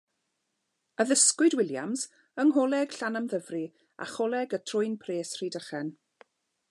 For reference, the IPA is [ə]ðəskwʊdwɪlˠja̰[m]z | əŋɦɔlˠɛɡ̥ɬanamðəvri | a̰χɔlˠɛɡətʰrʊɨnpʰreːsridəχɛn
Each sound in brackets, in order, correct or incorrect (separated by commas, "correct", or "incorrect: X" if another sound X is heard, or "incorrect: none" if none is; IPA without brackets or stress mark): correct, correct